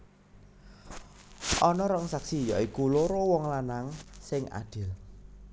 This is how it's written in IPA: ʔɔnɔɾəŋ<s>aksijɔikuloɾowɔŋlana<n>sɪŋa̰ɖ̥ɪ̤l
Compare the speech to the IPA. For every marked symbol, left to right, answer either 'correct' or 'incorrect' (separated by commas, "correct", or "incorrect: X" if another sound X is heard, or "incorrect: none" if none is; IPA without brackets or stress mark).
correct, incorrect: ŋ